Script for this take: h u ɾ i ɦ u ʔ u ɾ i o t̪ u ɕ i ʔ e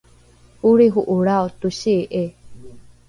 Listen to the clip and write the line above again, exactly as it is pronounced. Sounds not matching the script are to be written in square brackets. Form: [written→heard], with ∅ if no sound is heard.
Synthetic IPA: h u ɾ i ɦ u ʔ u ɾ [i→a] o t̪ u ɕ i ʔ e